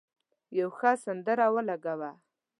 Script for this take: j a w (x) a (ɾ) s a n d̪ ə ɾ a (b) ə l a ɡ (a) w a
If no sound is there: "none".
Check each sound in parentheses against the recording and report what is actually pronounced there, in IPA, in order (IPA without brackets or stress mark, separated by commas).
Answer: x, none, w, a